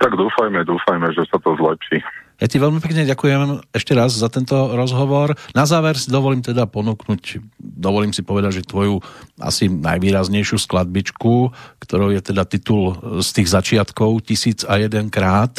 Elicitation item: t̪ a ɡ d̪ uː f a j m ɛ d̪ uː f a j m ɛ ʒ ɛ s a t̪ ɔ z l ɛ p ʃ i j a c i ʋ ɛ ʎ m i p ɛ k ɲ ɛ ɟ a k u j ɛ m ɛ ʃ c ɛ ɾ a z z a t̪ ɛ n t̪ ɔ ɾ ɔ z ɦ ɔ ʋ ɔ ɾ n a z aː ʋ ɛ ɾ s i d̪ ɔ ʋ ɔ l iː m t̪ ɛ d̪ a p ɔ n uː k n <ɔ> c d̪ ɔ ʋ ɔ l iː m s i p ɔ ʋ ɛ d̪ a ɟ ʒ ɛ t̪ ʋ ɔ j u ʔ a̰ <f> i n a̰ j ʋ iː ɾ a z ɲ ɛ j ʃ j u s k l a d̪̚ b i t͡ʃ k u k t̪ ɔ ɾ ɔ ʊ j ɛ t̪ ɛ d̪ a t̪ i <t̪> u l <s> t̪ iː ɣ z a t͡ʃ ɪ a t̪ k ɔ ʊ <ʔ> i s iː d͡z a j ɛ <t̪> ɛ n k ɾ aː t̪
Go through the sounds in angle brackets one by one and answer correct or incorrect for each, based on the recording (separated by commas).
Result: incorrect, incorrect, correct, correct, incorrect, incorrect